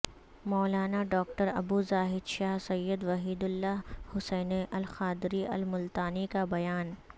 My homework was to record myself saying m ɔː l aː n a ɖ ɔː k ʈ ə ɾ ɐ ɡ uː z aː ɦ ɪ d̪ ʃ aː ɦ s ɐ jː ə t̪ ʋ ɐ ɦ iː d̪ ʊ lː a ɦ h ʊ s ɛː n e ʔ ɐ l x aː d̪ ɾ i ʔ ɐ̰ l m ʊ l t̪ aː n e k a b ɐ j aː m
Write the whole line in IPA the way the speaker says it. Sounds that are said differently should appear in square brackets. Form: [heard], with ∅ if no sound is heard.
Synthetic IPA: m ɔː l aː n a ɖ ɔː k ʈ ə ɾ ɐ [b] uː z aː ɦ ɪ d̪ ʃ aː ɦ s ɐ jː ə [d̪] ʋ ɐ ɦ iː d̪ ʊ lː a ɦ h ʊ s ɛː n e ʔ ɐ l x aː d̪ ɾ i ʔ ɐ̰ l m ʊ l t̪ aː n [i] k a b ɐ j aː [n]